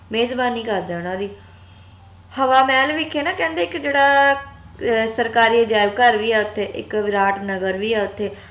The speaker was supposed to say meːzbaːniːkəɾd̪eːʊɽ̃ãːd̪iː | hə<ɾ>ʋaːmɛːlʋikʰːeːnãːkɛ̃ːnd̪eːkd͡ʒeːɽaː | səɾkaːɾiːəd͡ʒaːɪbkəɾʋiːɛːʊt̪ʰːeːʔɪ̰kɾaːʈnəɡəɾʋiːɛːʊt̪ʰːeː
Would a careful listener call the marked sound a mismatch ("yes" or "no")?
yes